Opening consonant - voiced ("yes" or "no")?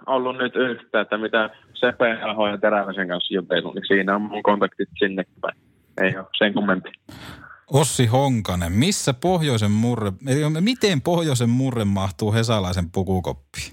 yes